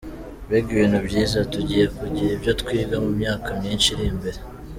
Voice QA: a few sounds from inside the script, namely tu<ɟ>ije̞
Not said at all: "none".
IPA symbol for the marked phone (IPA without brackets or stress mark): ɟ